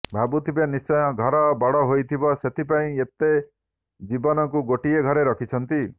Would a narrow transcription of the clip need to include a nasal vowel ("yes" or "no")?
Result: yes